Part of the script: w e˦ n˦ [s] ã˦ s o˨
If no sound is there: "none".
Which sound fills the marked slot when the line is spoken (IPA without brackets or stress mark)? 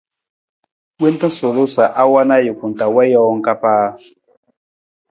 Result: t